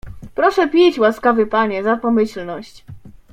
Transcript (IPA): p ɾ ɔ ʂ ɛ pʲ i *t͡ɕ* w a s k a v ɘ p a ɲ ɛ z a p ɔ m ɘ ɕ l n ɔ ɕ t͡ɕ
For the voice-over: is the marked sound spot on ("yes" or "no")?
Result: yes